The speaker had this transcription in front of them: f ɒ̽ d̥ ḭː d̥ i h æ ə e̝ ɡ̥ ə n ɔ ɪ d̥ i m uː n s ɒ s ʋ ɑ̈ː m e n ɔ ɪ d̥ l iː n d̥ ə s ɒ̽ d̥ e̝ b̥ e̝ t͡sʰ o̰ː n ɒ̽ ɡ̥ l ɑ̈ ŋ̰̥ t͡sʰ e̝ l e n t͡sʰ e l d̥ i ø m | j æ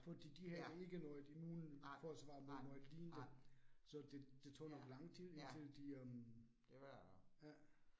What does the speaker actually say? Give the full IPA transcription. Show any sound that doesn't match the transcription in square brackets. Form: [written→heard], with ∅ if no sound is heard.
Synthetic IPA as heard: f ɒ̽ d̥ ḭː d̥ i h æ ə e̝ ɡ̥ ə n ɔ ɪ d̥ i m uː n [s→f] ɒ s ʋ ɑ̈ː m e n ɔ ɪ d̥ l iː n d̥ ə s ɒ̽ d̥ e̝ [b̥→d̥] e̝ t͡sʰ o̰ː n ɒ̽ ɡ̥ l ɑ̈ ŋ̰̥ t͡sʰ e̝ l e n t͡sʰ e l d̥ i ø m | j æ

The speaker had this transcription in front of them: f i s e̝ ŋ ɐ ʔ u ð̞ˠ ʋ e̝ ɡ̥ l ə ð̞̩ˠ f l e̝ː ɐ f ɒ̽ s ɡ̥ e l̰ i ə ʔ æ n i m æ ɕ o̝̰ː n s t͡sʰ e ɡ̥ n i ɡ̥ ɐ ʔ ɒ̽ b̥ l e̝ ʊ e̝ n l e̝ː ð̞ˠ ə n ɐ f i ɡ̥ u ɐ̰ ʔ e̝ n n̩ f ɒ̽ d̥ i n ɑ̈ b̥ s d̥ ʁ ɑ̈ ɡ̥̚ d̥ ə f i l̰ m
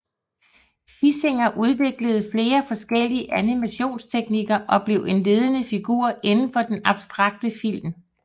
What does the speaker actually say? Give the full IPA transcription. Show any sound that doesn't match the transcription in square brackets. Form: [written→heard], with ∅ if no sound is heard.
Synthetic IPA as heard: f i s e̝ ŋ ɐ ʔ u ð̞ˠ ʋ e̝ ɡ̥ l ə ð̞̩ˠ f l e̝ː ɐ f ɒ̽ s ɡ̥ e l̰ i ə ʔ æ n i m æ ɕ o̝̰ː n s t͡sʰ e ɡ̥ n i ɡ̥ ɐ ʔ ɒ̽ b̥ l e̝ ʊ e̝ n l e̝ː ð̞ˠ ə n [ɐ→ə] f i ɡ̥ u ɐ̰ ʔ e̝ n n̩ f ɒ̽ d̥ [i→e] n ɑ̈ b̥ s d̥ ʁ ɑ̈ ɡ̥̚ d̥ ə f i l̰ m

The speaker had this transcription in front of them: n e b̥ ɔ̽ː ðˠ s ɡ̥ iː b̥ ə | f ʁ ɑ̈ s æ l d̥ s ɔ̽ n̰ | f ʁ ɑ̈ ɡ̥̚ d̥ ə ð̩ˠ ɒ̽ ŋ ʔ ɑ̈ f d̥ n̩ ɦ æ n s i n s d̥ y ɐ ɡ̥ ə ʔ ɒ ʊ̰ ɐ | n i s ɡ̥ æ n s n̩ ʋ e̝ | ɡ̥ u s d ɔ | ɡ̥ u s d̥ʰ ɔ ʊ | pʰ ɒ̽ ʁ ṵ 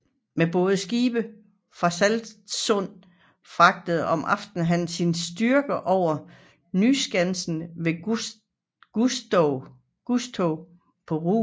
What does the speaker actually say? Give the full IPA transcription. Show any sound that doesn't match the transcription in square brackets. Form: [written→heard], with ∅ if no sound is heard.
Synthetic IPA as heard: [n→m] e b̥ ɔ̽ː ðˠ s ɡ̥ iː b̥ ə | f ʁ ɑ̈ s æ l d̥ s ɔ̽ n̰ | f ʁ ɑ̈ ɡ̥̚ d̥ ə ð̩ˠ ɒ̽ [ŋ→m] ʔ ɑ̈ f d̥ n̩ ɦ æ n s i n s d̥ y ɐ ɡ̥ ə ʔ ɒ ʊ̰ ɐ | n [i→y] s ɡ̥ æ n s n̩ ʋ e̝ | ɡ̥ u s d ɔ | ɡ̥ u s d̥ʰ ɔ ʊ | pʰ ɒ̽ ʁ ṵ

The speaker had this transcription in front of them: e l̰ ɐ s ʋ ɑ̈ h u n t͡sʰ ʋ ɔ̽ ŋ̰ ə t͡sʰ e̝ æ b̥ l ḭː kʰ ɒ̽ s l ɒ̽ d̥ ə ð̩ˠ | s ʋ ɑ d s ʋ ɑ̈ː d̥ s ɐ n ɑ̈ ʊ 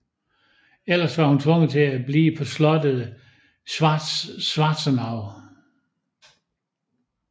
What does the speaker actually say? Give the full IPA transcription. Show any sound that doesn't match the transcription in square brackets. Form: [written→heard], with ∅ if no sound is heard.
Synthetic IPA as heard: e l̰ ɐ s ʋ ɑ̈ h u n t͡sʰ ʋ ɔ̽ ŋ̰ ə t͡sʰ e̝ æ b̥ l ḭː [kʰ→pʰ] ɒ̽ s l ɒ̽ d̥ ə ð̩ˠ | s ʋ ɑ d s ʋ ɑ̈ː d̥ s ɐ n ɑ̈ ʊ

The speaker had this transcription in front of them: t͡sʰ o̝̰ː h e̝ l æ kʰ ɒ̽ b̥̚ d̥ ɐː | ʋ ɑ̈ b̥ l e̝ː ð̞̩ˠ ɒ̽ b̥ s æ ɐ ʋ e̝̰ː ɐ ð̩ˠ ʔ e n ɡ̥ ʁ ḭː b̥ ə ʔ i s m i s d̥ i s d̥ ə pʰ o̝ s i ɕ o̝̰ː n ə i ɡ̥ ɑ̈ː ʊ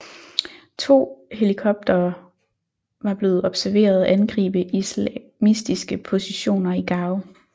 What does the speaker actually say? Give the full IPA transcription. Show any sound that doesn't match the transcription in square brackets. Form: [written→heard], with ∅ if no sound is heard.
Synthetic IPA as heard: t͡sʰ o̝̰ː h e̝ l [æ→i] kʰ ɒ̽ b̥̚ d̥ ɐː | ʋ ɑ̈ b̥ l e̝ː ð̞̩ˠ ɒ̽ b̥ s æ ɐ ʋ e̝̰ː ɐ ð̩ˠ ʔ [e→æ] n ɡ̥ ʁ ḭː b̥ ə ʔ i s m i s d̥ i s [d̥→ɡ̥] ə pʰ o̝ s i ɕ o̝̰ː n [ə→ɐ] i ɡ̥ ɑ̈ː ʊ

